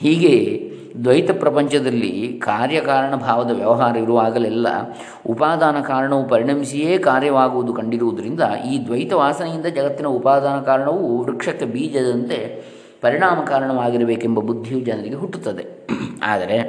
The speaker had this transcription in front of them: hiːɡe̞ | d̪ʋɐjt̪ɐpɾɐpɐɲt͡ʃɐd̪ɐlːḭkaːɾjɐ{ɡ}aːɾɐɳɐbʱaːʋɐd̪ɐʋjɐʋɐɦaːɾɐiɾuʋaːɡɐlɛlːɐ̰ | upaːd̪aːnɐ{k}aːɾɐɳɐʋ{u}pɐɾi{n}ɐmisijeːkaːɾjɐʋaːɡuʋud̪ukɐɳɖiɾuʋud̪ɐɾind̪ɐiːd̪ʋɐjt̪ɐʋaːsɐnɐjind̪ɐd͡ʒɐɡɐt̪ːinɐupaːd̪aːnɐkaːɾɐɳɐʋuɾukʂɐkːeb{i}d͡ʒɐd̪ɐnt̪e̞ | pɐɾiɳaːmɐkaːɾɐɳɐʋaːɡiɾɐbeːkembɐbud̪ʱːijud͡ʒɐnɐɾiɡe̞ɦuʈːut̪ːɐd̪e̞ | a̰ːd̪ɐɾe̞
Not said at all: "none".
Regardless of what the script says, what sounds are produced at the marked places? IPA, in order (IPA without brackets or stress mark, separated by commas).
k, k, u, ɳ, iː